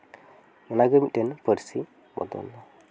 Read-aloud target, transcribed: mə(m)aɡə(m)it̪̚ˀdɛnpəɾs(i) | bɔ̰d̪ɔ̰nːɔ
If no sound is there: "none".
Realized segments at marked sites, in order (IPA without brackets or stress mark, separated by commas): n, m, i